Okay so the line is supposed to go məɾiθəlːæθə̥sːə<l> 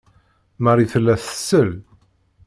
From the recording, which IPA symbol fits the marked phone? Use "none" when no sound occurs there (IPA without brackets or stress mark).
l